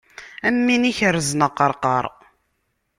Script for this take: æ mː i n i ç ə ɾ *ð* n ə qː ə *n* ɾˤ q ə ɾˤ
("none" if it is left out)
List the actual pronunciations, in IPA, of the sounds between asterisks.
z, none

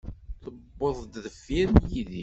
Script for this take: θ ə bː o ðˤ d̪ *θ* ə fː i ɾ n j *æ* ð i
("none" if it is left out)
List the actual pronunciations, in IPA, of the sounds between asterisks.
ð, i

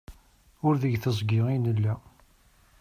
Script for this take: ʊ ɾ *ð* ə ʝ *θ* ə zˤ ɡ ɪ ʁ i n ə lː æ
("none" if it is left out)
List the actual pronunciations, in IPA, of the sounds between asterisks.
ð, θ

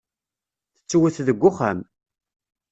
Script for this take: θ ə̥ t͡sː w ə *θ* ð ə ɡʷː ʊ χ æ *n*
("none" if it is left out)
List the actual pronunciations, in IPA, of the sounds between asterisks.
θ, m

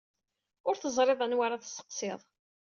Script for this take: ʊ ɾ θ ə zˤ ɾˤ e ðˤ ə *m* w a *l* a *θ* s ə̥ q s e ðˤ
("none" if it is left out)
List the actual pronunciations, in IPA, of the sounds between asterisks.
n, ɾ, θ

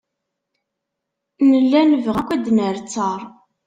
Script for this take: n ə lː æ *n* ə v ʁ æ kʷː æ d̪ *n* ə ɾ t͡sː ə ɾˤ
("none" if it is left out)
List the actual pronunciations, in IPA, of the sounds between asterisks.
n, n

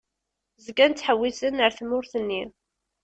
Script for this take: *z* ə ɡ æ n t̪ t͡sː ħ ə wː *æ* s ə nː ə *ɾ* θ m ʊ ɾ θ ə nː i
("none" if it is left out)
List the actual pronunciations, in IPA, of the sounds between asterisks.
z, i, ɾ

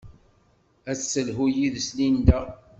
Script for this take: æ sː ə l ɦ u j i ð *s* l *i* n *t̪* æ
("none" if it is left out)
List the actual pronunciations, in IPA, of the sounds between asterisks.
s, i, d̪

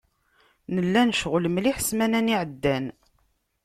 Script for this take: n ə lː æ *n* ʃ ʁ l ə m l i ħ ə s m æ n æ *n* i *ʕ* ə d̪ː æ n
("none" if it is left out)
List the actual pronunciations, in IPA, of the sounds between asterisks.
n, n, ʕ

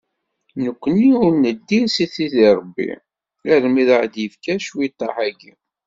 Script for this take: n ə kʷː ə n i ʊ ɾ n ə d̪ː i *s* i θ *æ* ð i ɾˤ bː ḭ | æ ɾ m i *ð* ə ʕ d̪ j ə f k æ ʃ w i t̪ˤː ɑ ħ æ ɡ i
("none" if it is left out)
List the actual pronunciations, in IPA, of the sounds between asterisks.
s, i, ð

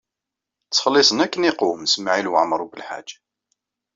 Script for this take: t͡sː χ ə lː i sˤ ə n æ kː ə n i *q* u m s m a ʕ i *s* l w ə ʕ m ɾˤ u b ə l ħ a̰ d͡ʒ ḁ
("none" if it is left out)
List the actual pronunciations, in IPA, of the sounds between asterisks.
q, none

